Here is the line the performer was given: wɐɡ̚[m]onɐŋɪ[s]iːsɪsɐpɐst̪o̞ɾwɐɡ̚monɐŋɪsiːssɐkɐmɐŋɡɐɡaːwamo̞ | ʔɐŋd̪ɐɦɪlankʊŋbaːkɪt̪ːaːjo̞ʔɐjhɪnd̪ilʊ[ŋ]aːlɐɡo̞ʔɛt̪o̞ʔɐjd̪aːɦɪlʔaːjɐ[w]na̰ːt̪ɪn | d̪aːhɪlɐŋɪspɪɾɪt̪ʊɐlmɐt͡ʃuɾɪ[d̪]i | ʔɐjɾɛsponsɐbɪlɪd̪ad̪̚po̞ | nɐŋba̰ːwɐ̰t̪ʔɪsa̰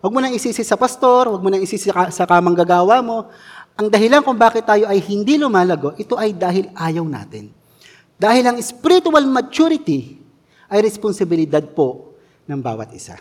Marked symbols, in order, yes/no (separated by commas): yes, yes, no, yes, no